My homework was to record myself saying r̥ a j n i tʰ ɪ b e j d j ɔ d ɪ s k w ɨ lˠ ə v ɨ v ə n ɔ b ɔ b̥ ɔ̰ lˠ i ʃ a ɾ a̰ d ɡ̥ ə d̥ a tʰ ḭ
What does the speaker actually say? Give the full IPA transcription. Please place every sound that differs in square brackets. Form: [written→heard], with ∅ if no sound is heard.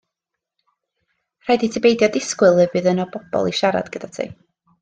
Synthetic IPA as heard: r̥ a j [n→d] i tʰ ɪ b e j d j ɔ d ɪ s k w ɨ lˠ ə v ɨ [v→ð] ə n ɔ b ɔ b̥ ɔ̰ lˠ i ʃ a ɾ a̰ d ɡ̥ ə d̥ a tʰ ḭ